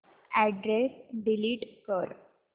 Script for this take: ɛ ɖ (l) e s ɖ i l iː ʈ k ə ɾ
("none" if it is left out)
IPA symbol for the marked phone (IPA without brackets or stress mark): ɾ